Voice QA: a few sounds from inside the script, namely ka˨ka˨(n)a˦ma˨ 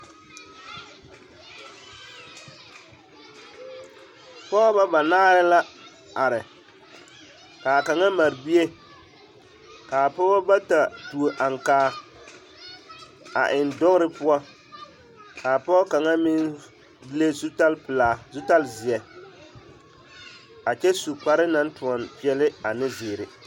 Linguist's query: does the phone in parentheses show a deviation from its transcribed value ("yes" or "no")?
yes